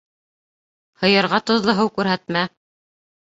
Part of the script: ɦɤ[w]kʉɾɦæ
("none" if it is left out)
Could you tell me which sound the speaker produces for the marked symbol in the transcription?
w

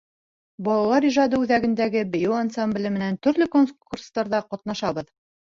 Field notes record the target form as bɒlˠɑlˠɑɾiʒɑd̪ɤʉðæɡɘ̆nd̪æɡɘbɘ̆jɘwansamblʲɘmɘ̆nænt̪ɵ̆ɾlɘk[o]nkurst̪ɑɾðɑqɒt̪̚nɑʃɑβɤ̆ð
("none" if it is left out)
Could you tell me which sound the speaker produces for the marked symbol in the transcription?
o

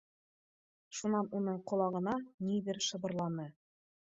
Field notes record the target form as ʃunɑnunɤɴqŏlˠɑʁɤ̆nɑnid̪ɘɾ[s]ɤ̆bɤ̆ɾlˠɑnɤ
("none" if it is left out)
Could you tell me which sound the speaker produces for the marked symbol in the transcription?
ʃ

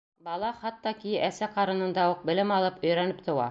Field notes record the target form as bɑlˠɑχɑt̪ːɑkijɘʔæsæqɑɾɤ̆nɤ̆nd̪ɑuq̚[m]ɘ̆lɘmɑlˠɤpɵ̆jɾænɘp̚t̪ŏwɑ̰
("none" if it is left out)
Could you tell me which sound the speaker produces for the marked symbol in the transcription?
b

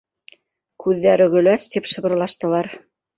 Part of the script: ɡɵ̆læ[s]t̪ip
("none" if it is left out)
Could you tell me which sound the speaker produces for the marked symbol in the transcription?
s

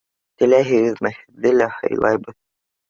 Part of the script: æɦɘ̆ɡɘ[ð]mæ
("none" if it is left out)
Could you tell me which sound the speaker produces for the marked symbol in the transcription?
ð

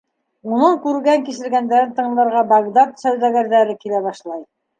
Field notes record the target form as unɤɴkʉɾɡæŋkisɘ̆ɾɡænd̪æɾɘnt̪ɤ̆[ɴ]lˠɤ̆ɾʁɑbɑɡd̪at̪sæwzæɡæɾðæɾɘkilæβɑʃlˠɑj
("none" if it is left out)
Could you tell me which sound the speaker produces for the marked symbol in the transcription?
ɴ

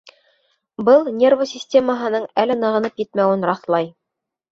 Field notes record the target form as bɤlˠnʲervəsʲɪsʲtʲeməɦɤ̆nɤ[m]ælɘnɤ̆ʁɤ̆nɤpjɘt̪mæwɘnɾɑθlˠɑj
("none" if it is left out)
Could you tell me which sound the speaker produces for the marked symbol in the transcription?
ɴ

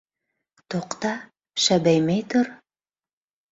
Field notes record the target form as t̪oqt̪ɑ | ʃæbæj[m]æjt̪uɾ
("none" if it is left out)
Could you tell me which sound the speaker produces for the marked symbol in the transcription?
m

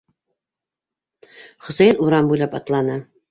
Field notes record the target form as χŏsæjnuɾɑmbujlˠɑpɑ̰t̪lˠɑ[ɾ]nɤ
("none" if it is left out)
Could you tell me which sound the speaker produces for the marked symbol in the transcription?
none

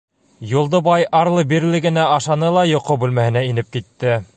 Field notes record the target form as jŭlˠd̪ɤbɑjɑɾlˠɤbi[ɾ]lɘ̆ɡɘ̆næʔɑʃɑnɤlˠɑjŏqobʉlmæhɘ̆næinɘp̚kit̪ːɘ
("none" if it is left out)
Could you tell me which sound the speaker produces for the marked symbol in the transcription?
ɾ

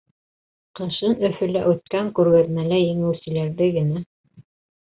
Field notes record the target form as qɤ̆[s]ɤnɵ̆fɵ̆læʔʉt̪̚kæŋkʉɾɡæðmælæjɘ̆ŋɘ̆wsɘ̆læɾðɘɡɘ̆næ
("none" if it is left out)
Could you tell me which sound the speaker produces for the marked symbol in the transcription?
ʃ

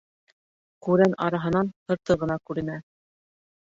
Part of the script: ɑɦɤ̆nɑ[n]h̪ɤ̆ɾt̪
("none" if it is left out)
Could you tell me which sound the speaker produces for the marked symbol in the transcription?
n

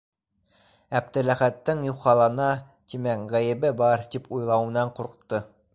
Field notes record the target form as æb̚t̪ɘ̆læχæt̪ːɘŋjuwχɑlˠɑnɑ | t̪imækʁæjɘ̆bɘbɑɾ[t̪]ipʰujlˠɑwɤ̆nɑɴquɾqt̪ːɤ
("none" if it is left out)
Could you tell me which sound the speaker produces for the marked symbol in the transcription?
t̪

